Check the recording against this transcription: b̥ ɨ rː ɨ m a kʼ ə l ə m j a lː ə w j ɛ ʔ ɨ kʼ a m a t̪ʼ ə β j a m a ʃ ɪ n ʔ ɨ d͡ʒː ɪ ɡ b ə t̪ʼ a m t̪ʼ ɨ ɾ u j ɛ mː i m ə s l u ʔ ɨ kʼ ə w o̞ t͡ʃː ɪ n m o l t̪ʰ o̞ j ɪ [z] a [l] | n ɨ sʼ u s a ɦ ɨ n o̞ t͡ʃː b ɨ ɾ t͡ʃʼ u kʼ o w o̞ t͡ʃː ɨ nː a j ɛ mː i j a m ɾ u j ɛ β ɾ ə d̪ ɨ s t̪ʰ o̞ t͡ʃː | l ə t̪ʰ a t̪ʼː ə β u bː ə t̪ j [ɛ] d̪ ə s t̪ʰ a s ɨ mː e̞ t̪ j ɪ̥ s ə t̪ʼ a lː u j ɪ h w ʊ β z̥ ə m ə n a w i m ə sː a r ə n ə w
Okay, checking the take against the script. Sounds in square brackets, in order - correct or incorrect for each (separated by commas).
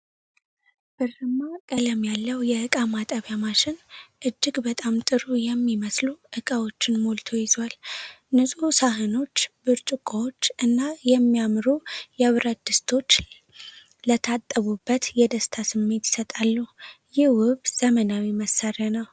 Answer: correct, correct, correct